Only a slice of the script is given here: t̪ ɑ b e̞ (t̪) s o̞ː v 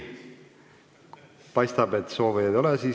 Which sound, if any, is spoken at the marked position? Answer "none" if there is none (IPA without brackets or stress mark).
t̪